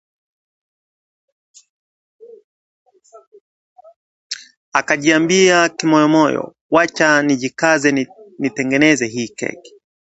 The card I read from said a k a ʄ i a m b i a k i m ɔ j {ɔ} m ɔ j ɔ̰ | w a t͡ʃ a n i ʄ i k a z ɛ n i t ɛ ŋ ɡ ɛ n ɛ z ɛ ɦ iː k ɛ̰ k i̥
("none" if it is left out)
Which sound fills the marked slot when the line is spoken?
ɔ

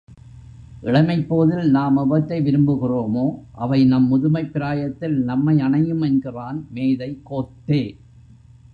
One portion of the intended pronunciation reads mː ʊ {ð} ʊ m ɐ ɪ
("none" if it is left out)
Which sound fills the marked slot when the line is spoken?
ð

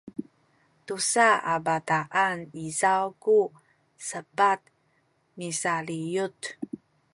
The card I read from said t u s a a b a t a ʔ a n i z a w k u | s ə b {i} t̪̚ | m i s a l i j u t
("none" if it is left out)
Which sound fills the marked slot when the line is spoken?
a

